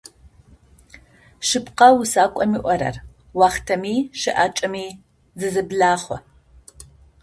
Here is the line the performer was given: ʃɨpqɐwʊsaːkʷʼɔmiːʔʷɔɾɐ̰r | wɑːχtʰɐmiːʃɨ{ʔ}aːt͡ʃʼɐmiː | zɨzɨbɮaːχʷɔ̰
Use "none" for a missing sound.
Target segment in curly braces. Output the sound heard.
ʔ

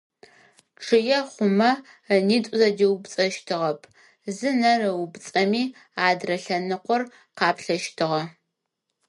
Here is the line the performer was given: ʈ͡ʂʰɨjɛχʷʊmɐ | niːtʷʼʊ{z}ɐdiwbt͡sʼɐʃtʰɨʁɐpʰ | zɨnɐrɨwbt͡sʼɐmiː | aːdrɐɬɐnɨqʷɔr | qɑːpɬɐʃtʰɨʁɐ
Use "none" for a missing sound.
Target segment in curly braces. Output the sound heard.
z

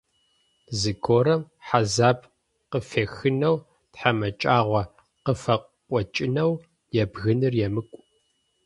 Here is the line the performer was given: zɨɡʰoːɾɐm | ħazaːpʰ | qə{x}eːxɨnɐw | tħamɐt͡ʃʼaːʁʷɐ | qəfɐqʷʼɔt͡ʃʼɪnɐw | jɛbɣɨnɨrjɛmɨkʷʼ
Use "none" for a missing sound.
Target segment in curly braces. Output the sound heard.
f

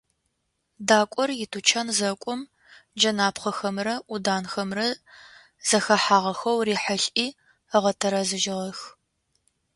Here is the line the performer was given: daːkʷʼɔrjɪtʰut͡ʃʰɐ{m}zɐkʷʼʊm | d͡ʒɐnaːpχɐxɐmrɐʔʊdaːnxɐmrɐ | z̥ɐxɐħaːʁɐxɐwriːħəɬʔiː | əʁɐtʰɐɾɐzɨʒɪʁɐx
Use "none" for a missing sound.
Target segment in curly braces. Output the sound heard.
n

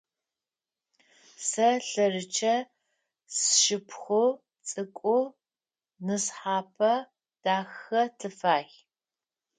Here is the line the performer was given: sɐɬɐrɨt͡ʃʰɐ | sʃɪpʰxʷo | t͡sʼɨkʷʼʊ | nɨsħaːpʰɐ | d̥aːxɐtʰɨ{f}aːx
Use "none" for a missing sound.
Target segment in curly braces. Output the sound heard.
f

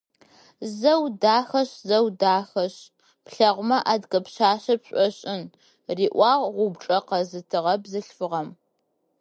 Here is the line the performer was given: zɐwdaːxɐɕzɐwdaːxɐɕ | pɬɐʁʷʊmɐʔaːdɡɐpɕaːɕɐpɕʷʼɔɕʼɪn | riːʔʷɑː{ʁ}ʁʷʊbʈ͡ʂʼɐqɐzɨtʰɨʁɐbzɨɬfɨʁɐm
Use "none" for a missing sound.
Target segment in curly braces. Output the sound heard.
ʁ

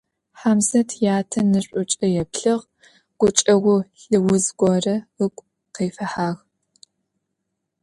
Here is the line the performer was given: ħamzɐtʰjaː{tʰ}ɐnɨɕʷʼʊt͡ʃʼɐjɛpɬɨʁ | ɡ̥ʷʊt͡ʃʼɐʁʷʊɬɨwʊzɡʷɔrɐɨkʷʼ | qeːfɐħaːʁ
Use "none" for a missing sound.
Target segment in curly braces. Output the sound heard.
tʰ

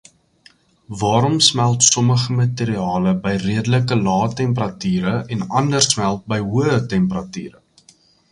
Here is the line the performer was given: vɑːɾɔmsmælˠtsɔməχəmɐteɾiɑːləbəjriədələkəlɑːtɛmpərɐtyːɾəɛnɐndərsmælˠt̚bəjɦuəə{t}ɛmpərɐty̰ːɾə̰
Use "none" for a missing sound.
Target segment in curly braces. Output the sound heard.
t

